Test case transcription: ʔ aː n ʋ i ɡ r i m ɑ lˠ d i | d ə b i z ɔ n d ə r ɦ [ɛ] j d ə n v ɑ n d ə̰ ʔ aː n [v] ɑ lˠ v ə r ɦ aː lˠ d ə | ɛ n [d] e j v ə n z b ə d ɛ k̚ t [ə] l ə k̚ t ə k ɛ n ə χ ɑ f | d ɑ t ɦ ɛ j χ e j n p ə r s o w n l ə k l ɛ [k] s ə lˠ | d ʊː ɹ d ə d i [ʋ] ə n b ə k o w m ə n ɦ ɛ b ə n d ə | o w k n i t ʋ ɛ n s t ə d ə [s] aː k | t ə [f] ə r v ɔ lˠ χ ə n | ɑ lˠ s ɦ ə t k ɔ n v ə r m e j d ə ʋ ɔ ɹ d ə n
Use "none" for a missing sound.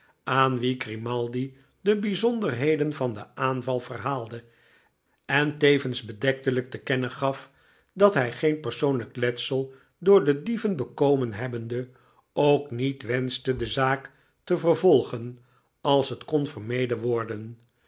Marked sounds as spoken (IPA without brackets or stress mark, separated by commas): e, v, t, ə, t, v, z, v